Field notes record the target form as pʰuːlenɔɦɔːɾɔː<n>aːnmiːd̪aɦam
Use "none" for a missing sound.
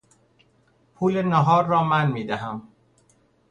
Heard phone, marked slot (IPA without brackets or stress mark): m